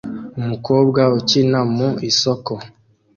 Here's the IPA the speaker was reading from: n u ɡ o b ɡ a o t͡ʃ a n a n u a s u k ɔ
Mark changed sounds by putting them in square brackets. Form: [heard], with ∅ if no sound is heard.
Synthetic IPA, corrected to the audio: [m] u [k] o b ɡ a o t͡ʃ [i] n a [m] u [i] s [ɔ] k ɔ